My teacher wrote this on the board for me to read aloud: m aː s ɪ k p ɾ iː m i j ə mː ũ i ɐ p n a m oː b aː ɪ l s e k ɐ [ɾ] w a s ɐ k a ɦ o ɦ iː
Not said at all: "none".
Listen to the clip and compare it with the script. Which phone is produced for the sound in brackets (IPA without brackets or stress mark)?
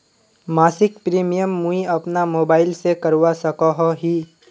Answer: ɾ